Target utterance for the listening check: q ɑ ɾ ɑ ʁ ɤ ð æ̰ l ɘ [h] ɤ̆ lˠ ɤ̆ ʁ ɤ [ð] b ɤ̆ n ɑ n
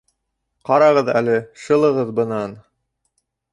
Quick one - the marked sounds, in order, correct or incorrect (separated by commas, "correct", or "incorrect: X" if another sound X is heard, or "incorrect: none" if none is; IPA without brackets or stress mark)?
incorrect: ʃ, correct